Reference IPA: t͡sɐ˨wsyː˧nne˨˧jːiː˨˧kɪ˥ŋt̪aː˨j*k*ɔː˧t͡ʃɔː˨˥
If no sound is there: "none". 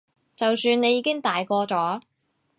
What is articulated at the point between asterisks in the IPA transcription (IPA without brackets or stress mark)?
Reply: k